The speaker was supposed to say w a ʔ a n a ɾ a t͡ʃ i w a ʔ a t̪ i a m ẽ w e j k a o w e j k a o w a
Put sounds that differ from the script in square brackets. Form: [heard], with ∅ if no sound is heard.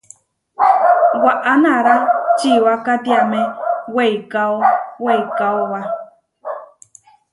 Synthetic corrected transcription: w a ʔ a n a ɾ a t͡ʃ i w a [k] a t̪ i a m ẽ w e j k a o w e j k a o w a